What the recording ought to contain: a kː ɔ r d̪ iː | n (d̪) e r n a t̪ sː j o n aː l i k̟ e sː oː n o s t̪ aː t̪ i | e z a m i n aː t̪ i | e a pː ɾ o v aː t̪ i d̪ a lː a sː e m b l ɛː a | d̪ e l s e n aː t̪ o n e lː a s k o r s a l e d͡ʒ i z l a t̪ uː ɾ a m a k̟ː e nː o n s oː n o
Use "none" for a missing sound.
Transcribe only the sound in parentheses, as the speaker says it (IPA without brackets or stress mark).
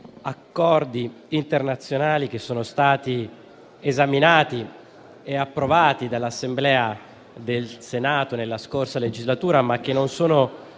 t̪